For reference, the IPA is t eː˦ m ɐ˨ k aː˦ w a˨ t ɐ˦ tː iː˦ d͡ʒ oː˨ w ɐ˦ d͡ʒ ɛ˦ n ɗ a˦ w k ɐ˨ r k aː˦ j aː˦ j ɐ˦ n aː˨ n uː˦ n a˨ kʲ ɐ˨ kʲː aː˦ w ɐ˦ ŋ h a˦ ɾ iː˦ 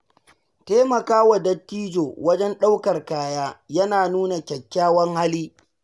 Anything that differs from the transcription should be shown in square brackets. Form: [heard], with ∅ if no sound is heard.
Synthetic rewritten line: t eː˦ m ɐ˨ k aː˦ w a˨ [d] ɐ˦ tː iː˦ d͡ʒ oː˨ w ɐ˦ d͡ʒ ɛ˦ n ɗ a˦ w k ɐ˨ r k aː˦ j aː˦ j ɐ˦ n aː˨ n uː˦ n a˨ kʲ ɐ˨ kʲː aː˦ w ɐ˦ ŋ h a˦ [l] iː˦